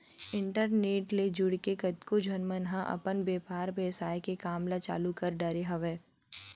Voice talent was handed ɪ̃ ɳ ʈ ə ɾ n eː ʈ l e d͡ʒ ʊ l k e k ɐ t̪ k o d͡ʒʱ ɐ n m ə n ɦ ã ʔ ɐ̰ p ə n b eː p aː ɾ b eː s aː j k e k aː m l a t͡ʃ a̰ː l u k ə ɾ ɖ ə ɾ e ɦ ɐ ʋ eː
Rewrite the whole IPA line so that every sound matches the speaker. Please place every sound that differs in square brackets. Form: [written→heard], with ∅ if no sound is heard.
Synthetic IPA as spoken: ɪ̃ ɳ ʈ ə ɾ n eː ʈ l e d͡ʒ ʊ [l→ɽ] k e k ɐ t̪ k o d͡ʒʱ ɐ n m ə n ɦ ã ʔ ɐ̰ p ə n b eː p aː ɾ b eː s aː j k e k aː m l a t͡ʃ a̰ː l u k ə ɾ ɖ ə ɾ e ɦ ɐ ʋ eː